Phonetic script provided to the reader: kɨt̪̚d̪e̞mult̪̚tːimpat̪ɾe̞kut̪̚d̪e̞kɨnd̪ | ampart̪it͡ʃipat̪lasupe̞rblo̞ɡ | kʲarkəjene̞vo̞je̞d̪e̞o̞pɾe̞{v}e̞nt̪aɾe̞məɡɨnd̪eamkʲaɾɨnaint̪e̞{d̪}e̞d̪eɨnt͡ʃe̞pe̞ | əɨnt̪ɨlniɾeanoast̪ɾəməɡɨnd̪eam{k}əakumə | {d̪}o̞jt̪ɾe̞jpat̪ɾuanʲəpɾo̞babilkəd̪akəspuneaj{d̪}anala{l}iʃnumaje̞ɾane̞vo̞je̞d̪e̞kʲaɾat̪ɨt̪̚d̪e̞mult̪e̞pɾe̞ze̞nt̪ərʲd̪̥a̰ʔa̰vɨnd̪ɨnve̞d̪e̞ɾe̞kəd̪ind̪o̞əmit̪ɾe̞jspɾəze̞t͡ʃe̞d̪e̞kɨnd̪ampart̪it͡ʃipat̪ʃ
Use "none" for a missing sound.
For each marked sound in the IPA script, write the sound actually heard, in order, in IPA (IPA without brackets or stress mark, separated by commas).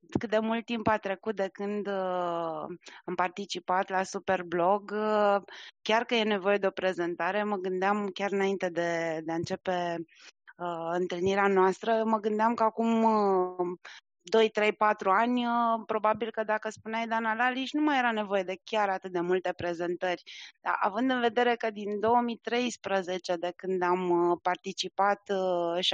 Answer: z, d̪, k, d̪, d̪, l